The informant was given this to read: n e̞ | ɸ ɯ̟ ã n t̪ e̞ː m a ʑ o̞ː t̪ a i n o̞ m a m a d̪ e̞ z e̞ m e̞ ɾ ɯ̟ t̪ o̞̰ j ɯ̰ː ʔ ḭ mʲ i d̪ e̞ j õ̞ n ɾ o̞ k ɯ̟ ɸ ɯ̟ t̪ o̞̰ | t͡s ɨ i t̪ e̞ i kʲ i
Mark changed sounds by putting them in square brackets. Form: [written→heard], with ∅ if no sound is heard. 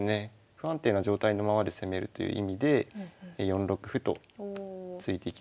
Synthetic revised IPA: n e̞ | ɸ ɯ̟ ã n t̪ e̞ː [m→n] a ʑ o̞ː t̪ a i n o̞ m a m a d̪ e̞ [z→s] e̞ m e̞ ɾ ɯ̟ t̪ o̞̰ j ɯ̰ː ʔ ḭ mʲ i d̪ e̞ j õ̞ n ɾ o̞ k ɯ̟ ɸ ɯ̟ t̪ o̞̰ | t͡s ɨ i t̪ e̞ i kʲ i

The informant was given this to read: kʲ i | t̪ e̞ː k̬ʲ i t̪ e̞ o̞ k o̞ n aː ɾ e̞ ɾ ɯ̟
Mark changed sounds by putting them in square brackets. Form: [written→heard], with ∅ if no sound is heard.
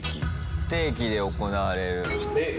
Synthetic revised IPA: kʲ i | t̪ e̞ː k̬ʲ i [t̪→d̪] e̞ o̞ k o̞ n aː ɾ e̞ ɾ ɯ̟

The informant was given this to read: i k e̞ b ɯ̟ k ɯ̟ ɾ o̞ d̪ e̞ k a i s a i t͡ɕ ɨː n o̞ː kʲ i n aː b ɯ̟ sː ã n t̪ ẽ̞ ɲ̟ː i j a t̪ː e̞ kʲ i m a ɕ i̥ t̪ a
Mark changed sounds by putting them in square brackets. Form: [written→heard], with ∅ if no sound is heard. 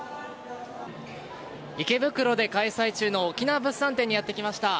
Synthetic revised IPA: i k e̞ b ɯ̟ k ɯ̟ ɾ o̞ d̪ e̞ k a i s a i t͡ɕ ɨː n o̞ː kʲ i n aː b ɯ̟ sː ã n t̪ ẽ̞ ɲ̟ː i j a t̪ː e̞ kʲ i m a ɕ i̥ t̪ a

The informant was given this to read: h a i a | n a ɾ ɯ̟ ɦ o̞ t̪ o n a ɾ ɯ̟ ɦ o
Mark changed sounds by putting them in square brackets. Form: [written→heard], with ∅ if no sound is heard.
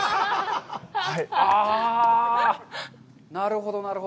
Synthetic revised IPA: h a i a | n a ɾ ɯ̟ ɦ o̞ [t̪→d̪] o n a ɾ ɯ̟ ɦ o

